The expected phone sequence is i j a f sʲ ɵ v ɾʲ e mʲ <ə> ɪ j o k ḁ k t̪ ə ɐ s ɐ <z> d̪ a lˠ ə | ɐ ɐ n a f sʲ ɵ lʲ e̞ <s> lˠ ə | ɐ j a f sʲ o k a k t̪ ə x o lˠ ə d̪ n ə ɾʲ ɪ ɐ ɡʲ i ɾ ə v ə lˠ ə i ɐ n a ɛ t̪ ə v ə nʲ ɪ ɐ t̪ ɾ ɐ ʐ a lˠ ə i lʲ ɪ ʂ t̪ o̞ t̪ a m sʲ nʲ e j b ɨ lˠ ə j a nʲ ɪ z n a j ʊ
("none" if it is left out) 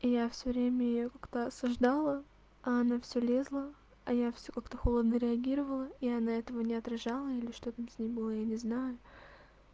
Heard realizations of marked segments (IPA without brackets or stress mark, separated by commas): ə, ʐ, z